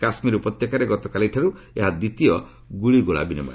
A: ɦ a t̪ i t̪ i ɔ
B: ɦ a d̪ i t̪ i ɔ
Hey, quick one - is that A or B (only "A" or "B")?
B